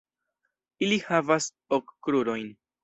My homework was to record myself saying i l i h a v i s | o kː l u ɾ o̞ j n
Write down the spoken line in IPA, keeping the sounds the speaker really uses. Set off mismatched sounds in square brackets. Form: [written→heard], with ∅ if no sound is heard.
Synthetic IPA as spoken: i l i h a v [i→a] s | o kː [l→ɾ] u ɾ o̞ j n